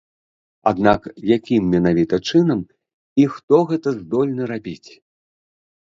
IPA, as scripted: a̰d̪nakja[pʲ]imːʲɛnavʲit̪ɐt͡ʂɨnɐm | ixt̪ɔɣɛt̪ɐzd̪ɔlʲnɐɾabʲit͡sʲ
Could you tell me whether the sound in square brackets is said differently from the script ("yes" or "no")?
yes